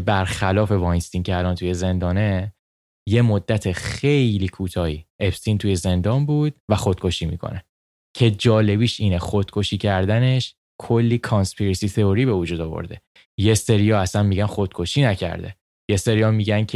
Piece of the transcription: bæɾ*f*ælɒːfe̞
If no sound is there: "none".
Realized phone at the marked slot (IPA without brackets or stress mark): x